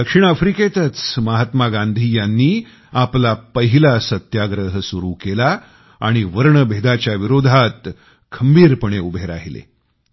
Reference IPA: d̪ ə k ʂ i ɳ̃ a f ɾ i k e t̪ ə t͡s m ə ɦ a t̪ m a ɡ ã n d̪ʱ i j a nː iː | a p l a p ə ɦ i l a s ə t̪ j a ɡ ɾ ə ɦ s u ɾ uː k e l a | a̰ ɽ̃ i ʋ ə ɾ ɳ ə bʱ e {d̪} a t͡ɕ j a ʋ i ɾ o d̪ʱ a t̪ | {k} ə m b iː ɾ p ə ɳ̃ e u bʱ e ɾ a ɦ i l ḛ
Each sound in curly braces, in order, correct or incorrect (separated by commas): correct, incorrect